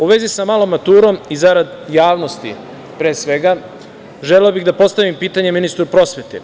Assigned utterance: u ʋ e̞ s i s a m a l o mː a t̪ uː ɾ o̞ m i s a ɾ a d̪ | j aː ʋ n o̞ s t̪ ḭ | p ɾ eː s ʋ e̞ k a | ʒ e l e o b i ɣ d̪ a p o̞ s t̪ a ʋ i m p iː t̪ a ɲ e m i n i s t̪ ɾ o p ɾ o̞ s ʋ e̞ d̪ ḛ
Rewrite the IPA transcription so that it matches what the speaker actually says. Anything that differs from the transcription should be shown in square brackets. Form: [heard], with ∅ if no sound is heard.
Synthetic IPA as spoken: u ʋ e̞ [z] i s a m a l o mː a t̪ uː ɾ o̞ m i [z] a ɾ a d̪ | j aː ʋ n o̞ s t̪ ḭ | p ɾ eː s ʋ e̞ [ɡ] a | ʒ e l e o b i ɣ d̪ a p o̞ s t̪ a ʋ i m p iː t̪ a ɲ e m i n i s t̪ ɾ [u] p ɾ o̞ s ʋ e̞ [t̪] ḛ